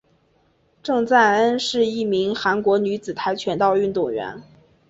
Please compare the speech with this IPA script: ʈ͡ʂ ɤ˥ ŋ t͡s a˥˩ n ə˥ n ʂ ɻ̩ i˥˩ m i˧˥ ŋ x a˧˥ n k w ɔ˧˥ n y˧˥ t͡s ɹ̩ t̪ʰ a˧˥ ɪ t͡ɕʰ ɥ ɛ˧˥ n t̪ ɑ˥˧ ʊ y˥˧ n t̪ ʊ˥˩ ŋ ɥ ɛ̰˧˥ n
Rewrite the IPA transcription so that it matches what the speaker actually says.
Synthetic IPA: ʈ͡ʂ ɤ˥˧ ŋ t͡s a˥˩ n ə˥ n ʂ ɻ̩ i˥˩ m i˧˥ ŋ x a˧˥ n k w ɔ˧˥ n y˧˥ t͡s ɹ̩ t̪ʰ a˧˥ ɪ t͡ɕʰ ɥ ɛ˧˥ n t̪ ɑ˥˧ ʊ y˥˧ n t̪ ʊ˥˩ ŋ ɥ ɛ̰˧˥ n